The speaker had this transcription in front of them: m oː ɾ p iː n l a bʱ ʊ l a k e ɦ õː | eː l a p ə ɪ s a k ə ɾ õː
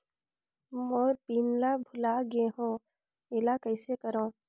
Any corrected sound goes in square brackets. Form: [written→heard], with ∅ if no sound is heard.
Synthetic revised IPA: m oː ɾ p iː n l a bʱ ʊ l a [k→ɡ] e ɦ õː | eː l a [p→k] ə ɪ s [a→e] k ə ɾ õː